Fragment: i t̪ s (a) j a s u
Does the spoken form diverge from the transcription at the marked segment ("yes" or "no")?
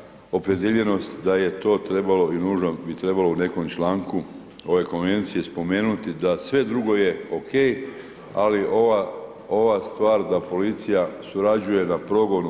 yes